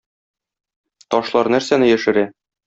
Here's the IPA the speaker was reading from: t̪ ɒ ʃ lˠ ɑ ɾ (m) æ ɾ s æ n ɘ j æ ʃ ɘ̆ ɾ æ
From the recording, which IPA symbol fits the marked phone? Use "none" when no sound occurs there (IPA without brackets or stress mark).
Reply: n